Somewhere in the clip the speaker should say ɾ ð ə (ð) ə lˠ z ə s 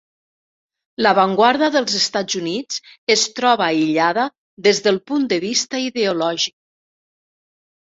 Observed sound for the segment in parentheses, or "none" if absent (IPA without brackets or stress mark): ð